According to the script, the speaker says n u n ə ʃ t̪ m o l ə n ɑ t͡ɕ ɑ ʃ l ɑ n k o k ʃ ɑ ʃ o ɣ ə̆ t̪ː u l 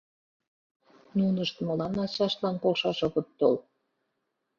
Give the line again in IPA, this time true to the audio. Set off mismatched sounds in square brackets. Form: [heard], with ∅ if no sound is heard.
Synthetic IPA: n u n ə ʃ t̪ m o l [ɑ] n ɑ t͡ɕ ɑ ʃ l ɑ n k o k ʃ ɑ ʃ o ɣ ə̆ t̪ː [o] l